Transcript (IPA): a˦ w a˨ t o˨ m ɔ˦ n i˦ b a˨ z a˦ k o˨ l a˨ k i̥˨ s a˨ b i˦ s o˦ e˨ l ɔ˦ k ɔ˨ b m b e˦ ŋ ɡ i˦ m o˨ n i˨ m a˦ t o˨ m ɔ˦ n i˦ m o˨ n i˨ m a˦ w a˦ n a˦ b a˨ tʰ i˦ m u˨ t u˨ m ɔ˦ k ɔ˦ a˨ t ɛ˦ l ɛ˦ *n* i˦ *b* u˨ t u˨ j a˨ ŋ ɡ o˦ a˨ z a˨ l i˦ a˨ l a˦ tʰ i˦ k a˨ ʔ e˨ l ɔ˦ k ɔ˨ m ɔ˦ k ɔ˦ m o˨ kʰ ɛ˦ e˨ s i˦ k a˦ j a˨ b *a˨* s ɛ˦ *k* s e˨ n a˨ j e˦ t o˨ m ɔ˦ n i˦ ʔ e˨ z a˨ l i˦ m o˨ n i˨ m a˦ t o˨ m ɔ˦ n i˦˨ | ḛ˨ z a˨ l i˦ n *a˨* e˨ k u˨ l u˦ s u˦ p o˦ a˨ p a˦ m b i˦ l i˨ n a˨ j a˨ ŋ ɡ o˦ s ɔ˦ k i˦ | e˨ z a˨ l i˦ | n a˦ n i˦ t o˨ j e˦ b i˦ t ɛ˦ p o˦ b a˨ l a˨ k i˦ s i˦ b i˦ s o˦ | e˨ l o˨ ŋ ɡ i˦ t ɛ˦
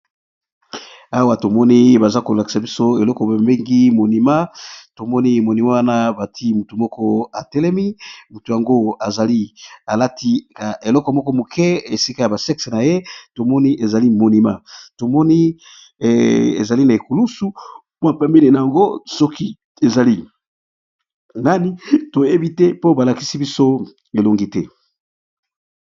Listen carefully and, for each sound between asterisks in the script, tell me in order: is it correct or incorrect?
incorrect: m, incorrect: m, correct, correct, correct

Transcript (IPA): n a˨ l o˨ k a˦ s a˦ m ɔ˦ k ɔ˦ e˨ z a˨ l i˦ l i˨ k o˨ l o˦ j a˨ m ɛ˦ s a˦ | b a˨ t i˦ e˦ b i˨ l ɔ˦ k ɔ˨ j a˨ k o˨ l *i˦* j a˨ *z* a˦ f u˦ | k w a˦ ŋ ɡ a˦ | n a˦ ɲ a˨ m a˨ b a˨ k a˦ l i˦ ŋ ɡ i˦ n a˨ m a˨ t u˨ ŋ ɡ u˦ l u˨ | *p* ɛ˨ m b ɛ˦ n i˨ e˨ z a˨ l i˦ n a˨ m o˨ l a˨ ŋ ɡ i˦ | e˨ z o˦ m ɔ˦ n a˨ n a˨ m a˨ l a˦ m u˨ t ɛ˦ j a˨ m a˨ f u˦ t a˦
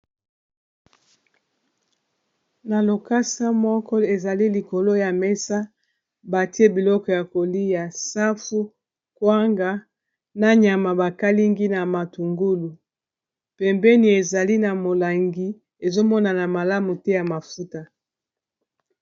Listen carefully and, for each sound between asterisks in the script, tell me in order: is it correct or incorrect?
correct, incorrect: s, correct

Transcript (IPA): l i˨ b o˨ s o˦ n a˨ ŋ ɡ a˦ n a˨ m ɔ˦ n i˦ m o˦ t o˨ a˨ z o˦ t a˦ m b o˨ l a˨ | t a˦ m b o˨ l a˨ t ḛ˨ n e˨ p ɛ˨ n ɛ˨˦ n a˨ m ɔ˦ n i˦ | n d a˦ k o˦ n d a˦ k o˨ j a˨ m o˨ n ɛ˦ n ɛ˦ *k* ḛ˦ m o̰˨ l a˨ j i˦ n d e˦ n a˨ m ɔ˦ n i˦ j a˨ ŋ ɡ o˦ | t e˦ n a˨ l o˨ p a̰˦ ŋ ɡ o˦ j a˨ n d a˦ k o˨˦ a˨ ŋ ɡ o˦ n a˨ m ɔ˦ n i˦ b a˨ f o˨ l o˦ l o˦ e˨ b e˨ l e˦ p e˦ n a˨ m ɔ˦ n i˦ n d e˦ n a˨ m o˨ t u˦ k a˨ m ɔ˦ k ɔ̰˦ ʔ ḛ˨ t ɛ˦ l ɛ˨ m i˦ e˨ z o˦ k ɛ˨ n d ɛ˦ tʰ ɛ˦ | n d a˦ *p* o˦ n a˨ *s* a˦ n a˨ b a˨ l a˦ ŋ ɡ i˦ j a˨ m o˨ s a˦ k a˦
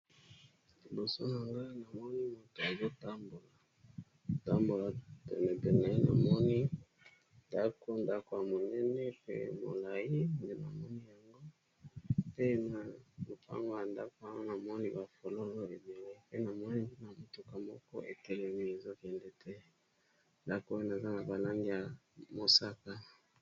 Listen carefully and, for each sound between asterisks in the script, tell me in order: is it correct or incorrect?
incorrect: p, incorrect: k, incorrect: z

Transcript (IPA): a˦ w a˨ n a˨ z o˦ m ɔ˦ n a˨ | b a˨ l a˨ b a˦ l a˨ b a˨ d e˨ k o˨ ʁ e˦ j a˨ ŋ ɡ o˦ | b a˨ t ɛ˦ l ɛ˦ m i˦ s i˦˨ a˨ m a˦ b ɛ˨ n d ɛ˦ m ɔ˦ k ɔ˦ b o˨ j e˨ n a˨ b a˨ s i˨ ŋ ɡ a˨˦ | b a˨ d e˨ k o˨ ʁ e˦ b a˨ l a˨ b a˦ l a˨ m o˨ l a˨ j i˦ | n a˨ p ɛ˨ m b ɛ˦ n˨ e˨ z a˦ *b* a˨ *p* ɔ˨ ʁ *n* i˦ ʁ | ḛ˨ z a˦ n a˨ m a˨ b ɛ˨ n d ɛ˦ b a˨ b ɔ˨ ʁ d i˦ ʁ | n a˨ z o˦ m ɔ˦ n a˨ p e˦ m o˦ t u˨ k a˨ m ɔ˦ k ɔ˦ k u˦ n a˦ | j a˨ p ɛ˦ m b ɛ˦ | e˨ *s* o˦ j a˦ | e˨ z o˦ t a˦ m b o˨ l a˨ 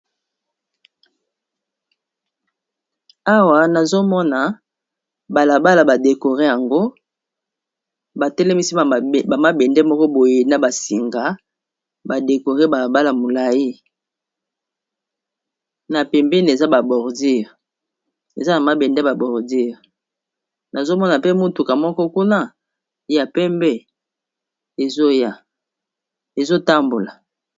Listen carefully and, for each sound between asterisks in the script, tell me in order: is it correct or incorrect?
correct, incorrect: b, incorrect: d, incorrect: z

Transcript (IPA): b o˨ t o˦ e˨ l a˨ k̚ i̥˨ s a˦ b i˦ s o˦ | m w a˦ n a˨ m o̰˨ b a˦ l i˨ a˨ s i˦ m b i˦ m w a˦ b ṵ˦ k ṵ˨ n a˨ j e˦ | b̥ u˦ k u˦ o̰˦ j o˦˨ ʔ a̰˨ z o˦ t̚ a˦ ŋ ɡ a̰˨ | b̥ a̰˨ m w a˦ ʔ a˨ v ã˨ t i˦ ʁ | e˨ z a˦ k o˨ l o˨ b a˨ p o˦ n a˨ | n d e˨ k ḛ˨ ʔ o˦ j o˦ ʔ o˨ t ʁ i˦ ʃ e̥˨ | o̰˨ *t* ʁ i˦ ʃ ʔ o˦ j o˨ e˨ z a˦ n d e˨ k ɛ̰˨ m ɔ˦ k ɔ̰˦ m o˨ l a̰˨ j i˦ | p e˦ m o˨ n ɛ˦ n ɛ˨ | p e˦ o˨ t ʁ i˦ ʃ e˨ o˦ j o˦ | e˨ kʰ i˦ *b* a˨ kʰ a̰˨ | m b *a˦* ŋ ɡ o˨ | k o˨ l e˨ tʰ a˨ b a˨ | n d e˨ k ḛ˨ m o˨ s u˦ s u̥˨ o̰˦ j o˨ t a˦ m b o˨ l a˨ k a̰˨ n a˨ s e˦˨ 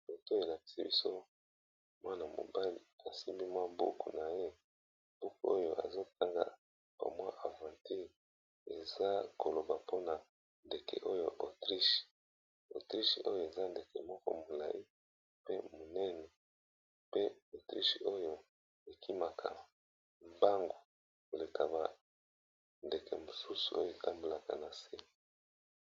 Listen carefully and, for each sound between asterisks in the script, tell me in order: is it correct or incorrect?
correct, incorrect: m, correct

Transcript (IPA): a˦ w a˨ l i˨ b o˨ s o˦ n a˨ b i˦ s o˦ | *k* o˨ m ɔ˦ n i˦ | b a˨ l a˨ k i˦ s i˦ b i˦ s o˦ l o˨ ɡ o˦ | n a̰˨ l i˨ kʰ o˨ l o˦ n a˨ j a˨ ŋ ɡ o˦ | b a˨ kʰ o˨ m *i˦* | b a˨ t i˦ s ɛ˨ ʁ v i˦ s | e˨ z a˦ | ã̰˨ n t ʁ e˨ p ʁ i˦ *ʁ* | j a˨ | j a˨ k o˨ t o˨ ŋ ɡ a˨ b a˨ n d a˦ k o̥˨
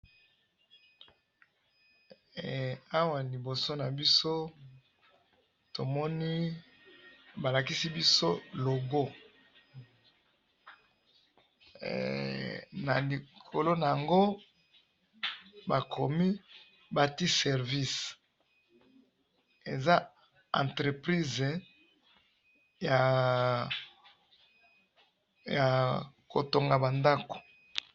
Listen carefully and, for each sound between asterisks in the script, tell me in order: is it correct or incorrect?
incorrect: t, correct, incorrect: z

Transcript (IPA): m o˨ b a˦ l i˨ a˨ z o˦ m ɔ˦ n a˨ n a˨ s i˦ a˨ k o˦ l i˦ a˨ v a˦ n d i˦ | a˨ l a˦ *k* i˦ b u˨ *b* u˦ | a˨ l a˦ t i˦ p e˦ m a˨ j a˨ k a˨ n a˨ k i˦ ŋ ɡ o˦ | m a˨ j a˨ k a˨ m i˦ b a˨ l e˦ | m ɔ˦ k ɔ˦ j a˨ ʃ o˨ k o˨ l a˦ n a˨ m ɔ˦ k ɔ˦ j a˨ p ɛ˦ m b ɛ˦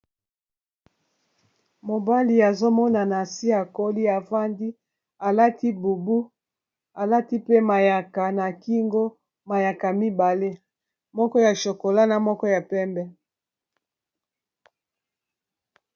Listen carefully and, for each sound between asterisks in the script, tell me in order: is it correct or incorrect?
incorrect: t, correct

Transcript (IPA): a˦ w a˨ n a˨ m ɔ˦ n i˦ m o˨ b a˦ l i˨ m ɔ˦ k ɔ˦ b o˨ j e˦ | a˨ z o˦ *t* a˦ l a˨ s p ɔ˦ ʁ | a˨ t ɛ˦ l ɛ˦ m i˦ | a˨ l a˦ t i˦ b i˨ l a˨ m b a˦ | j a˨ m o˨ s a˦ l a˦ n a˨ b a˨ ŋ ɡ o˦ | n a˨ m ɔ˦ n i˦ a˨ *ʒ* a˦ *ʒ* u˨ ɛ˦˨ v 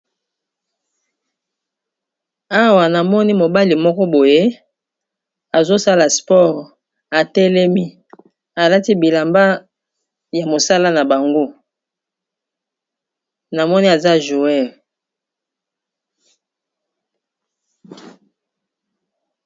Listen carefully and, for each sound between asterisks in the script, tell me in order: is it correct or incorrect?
incorrect: s, incorrect: z, correct

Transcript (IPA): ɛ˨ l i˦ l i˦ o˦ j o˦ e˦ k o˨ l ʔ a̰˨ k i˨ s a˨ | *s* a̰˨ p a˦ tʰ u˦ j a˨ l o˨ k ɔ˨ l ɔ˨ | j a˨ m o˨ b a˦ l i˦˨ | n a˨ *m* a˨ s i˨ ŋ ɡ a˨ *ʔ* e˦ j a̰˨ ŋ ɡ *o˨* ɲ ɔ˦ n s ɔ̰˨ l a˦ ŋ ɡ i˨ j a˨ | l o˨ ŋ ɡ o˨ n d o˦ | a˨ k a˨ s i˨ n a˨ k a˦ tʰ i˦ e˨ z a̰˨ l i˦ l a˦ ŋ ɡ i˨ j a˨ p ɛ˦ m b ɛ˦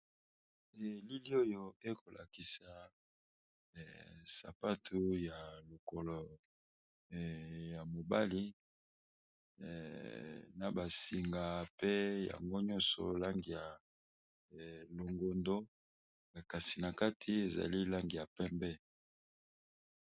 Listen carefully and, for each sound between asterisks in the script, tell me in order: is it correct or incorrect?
correct, incorrect: b, incorrect: p, incorrect: o˦

